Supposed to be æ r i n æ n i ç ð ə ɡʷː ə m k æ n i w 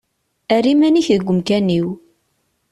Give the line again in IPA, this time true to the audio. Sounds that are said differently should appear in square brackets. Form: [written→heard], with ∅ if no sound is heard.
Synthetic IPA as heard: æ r i [n→m] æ n i ç ð ə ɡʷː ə m k æ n i w